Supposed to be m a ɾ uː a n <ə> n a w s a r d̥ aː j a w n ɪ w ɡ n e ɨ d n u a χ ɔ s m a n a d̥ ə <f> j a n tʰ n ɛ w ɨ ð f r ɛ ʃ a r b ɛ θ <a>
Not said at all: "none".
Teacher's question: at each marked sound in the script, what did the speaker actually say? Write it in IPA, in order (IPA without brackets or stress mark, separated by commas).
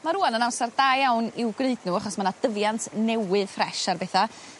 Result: ə, v, a